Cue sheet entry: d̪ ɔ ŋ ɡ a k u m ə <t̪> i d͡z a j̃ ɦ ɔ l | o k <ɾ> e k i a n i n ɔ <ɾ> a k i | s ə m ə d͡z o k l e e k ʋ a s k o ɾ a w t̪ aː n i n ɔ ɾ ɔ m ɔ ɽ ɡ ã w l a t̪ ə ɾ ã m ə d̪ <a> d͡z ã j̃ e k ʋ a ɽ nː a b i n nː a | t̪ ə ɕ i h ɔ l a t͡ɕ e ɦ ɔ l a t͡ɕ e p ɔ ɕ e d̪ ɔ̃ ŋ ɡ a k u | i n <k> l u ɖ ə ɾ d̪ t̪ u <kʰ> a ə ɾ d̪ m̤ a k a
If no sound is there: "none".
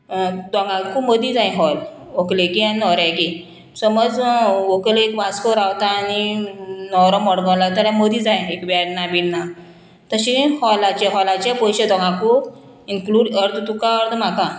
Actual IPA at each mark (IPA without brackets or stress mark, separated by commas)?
d̪, l, ɾ, i, k, k